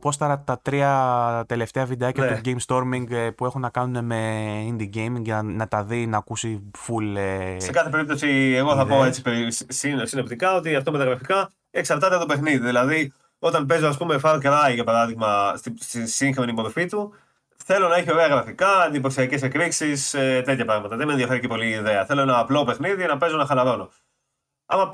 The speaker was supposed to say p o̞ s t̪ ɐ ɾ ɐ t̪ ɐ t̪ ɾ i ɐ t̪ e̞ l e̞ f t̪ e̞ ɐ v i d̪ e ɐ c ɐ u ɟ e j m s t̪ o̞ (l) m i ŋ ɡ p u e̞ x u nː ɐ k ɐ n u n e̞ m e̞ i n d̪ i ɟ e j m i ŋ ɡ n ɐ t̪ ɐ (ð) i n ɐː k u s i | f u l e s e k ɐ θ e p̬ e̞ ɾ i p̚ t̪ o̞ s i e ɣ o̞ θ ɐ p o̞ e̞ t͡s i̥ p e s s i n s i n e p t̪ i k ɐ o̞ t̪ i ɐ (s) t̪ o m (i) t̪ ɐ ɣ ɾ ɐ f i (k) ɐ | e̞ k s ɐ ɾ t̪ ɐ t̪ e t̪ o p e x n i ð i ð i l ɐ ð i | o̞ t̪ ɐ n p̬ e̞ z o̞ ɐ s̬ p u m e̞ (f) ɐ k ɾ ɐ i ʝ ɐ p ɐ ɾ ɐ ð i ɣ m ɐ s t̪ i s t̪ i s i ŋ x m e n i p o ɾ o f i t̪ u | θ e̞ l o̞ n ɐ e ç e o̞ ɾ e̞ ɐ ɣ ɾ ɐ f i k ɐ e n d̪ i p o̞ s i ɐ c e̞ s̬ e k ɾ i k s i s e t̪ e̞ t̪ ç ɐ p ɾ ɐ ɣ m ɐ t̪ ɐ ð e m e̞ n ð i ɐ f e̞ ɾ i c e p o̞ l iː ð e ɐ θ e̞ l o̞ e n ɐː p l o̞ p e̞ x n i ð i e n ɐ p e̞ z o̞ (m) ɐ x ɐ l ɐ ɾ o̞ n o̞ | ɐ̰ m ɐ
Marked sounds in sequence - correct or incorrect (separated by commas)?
incorrect, correct, incorrect, incorrect, correct, correct, incorrect